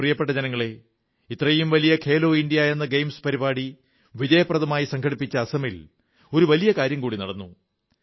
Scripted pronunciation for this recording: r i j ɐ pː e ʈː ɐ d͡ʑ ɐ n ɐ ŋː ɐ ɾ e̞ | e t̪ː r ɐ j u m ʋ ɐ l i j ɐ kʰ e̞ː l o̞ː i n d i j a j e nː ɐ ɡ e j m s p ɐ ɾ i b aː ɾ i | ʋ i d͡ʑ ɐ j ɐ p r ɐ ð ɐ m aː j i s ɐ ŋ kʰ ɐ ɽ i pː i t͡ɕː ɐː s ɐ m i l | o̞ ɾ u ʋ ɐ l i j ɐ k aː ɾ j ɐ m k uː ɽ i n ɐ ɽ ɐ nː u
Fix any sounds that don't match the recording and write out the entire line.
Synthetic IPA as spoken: r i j ɐ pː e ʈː ɐ d͡ʑ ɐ n ɐ ŋː ɐ ɭ e̞ | i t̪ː r ɐ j u m ʋ ɐ l i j ɐ kʰ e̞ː l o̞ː i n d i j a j e nː ɐ ɡ e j m s p ɐ ɾ i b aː ɽ i | ʋ i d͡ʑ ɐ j ɐ p r ɐ ð ɐ m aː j i s ɐ ŋ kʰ ɐ ɽ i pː i t͡ɕː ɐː s ɐ m i l | o̞ ɾ u ʋ ɐ l i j ɐ k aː ɾ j ɐ m k uː ɽ i n ɐ ɽ ɐ nː u

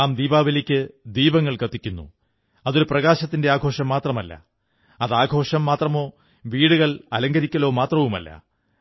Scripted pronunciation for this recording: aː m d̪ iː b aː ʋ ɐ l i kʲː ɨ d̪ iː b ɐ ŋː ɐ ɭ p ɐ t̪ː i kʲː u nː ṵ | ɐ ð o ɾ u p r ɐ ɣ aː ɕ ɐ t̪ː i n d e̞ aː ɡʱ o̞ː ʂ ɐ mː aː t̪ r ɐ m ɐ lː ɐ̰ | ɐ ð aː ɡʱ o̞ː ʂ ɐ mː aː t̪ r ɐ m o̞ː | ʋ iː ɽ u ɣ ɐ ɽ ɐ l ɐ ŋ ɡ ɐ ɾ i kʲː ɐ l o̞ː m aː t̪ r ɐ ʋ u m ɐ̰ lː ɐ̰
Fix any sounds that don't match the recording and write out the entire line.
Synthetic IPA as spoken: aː m d̪ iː b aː ʋ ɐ l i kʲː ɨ d̪ iː b ɐ ŋː ɐ ɭ k ɐ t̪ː i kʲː u nː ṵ | ɐ ð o ɾ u p r ɐ ɣ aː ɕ ɐ t̪ː i n d e̞ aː ɡʱ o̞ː ʂ ɐ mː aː t̪ r ɐ m ɐ lː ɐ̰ | ɐ ð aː ɡʱ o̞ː ʂ ɐ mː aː t̪ r ɐ m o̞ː | ʋ iː ɽ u ɣ ɐ ɭ ɐ l ɐ ŋ ɡ ɐ ɾ i kʲː ɐ l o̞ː m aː t̪ r ɐ ʋ u m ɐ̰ lː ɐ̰

